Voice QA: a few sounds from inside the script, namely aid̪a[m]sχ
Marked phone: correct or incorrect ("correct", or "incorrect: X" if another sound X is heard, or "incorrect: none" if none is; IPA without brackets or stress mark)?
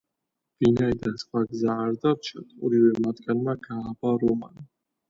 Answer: incorrect: n